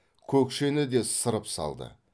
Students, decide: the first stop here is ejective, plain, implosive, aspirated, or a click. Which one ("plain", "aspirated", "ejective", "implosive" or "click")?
aspirated